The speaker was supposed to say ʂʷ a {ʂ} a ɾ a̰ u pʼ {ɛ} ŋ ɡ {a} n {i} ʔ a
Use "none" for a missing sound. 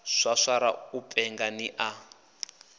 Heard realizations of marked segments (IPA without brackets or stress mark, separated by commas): ʂ, ɛ, a, i